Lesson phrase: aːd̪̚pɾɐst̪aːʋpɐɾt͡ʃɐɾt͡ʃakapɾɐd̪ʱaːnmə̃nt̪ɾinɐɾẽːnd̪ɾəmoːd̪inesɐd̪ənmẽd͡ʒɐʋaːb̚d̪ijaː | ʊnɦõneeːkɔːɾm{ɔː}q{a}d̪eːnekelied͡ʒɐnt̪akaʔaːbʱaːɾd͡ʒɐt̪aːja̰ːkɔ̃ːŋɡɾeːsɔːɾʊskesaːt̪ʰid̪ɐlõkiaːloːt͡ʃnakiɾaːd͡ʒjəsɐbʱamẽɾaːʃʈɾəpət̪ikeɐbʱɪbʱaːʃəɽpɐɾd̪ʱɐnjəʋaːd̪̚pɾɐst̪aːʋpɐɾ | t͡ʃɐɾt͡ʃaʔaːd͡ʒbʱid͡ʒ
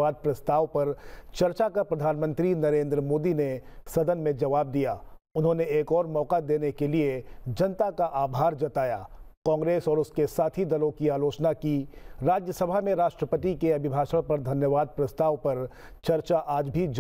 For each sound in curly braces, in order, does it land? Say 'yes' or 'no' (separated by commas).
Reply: yes, yes